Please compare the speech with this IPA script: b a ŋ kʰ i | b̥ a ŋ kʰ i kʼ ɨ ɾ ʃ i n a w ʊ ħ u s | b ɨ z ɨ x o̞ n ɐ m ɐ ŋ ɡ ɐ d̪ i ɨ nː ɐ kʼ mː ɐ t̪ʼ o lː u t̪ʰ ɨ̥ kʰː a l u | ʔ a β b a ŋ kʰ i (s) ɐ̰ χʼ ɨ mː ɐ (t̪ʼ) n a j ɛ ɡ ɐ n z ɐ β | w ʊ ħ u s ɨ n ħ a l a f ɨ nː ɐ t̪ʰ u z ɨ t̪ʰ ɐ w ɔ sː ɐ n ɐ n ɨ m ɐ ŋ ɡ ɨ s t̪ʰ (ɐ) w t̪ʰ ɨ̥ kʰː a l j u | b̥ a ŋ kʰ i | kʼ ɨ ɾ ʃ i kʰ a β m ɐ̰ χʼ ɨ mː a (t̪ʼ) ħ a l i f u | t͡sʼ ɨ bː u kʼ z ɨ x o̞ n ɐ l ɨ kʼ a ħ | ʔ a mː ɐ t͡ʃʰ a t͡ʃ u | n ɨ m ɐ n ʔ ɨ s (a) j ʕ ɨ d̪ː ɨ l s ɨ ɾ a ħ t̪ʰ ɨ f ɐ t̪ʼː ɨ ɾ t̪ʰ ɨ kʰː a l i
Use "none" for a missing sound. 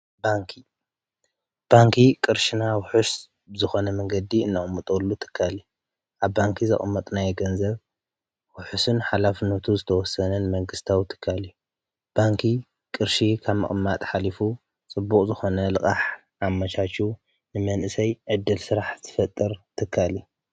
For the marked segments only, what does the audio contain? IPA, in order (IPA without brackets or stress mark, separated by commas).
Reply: z, t̪ʼ, a, t̪ʼ, ɐ